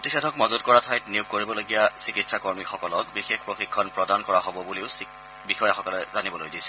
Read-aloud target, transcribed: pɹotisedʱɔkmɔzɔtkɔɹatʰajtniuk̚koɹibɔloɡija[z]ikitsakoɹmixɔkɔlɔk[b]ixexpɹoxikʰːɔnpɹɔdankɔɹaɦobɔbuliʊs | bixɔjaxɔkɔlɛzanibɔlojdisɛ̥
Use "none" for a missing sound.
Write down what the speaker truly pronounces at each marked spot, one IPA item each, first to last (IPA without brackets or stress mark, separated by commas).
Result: s, b